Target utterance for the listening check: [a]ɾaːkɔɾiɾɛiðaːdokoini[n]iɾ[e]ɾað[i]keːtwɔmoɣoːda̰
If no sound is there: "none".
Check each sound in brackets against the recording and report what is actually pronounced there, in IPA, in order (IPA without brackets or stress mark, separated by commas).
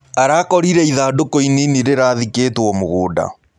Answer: a, n, e, i